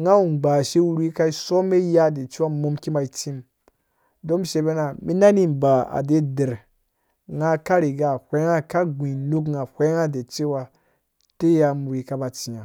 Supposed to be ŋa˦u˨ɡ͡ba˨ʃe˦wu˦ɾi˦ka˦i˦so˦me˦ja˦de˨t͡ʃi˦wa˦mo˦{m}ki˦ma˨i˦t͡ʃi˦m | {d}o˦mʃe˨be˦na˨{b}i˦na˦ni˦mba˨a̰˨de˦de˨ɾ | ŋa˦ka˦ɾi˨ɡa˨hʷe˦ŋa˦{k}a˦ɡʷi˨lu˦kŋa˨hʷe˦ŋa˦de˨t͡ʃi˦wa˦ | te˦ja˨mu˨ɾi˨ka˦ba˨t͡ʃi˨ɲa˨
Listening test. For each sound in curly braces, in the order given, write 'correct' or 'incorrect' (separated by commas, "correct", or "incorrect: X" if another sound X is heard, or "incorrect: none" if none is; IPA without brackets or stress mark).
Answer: correct, correct, incorrect: m, correct